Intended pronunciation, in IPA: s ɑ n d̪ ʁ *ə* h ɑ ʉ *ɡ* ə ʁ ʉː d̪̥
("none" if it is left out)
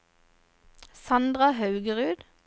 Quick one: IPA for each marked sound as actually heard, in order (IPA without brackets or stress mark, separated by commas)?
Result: ɑ, ɡ